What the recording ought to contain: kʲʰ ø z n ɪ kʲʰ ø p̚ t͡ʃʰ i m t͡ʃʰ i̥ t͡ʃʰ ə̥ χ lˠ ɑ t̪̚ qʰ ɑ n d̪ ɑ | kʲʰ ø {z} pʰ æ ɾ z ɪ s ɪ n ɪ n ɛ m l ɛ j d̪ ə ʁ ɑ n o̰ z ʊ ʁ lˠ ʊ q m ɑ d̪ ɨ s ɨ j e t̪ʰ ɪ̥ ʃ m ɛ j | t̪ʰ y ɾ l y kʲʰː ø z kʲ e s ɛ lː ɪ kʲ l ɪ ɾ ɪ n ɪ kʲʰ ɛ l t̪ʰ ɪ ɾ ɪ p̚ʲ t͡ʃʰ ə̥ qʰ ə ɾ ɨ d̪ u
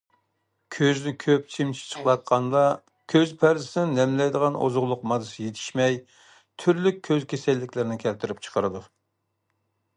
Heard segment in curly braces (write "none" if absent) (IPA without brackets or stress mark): z